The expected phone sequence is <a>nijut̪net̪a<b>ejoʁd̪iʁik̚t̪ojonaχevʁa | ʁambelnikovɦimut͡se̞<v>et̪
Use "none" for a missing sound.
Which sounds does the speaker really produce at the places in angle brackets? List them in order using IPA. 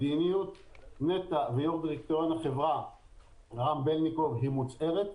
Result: i, v, ʁ

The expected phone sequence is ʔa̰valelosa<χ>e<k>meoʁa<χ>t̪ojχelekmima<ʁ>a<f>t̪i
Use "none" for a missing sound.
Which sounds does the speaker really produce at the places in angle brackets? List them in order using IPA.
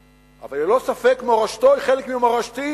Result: f, k, ʃ, ʁ, ʃ

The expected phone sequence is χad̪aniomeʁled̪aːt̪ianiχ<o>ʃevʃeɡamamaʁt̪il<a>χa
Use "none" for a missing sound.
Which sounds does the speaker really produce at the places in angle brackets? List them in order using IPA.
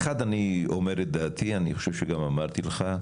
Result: o, e

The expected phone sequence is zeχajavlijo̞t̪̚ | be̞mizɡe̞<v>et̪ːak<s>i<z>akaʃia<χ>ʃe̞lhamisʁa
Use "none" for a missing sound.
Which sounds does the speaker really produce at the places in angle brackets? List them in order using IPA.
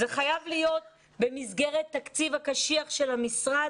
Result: ʁ, t͡s, v, χ

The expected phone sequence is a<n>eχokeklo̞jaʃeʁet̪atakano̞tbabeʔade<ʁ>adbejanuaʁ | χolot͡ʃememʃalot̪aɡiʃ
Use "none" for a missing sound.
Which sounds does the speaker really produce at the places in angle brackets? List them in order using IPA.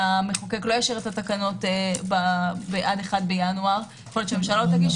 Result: m, χ

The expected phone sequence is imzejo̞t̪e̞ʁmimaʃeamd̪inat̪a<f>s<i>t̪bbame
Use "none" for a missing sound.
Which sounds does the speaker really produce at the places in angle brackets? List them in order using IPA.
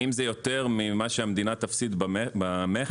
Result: f, i

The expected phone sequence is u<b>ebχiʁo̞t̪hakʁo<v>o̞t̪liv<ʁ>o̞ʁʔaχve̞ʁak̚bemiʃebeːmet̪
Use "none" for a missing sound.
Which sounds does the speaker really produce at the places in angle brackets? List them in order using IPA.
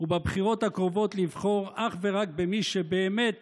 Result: b, v, χ

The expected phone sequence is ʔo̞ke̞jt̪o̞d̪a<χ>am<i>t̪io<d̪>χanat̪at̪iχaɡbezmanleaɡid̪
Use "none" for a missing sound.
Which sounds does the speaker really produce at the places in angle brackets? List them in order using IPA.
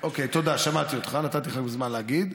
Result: ʃ, a, t̪

